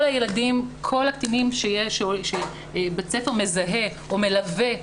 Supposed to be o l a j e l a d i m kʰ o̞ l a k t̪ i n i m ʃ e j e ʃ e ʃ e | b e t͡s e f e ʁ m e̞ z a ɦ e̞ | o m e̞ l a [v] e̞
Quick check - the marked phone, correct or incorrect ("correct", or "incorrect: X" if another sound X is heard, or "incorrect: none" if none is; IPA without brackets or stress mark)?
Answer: correct